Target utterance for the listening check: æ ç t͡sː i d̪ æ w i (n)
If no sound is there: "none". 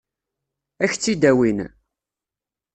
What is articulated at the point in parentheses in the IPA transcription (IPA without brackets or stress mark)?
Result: n